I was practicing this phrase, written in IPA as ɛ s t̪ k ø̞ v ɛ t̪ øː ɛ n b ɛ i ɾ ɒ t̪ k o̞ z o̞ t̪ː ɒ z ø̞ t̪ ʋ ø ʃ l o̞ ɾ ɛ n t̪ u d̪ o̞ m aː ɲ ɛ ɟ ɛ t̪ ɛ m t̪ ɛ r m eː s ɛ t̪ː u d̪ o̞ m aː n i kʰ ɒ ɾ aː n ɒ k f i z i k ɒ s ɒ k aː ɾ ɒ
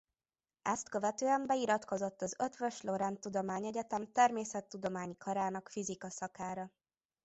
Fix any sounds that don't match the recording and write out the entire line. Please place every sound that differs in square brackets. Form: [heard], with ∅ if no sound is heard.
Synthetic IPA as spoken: ɛ s t̪ k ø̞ v ɛ t̪ øː ɛ [m] b ɛ i ɾ ɒ t̪ k o̞ z o̞ t̪ː ɒ z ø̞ t̪ ʋ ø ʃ l o̞ ɾ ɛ n t̪ u d̪ o̞ m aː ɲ ɛ ɟ ɛ t̪ ɛ m t̪ ɛ r m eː s ɛ t̪ː u d̪ o̞ m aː [ɲ] i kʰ ɒ ɾ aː n ɒ k f i z i k ɒ s ɒ k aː ɾ ɒ